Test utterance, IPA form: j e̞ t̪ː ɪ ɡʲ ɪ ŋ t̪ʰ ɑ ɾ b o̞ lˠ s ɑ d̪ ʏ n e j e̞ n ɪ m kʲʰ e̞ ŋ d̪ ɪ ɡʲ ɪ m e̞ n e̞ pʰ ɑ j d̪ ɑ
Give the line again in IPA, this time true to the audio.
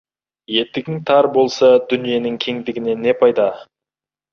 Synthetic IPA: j e̞ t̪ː ɪ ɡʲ ɪ ŋ t̪ʰ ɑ ɾ b o̞ lˠ s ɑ d̪ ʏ n i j e̞ n ɪ ŋ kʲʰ e̞ ŋ d̪ ɪ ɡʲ ɪ n e̞ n e̞ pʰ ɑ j d̪ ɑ